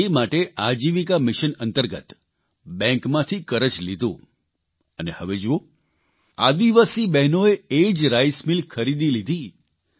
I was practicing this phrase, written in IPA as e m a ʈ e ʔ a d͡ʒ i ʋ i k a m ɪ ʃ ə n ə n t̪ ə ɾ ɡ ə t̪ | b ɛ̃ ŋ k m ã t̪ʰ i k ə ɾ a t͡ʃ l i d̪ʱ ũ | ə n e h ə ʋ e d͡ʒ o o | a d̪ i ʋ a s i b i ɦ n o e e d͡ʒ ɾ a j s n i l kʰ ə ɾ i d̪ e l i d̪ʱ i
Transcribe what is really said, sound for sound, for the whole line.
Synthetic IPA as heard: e m a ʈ e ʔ a d͡ʒ i ʋ i k a m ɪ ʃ ə n ə n t̪ ə ɾ ɡ ə t̪ | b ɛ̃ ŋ k m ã t̪ʰ i k ə ɾ ə t͡ʃ l i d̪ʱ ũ | ə n e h ə ʋ e d͡ʒ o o | a d̪ i ʋ a s i b ɛ ɦ n o e e d͡ʒ ɾ a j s m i l kʰ ə ɾ i d̪ i l i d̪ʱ i